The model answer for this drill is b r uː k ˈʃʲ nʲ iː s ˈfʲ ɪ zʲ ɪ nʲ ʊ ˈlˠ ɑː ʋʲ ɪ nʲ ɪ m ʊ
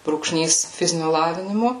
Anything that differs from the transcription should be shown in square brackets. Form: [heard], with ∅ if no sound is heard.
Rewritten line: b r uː k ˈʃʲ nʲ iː s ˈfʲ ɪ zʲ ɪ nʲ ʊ ˈlˠ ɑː ʋʲ ɪ nʲ ɪ m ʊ